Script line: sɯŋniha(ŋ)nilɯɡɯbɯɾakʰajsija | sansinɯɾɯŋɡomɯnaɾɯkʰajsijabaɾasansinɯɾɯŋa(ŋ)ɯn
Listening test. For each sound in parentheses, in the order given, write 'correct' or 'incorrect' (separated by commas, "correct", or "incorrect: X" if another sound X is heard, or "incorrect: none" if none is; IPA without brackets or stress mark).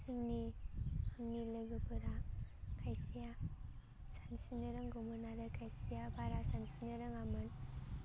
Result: correct, incorrect: m